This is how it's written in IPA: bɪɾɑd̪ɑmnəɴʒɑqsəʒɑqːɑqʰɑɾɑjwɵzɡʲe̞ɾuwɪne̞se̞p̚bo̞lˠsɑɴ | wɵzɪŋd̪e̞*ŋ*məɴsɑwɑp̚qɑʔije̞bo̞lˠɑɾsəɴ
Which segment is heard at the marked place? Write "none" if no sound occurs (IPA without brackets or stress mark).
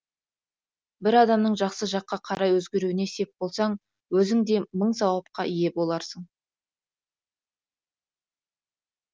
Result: none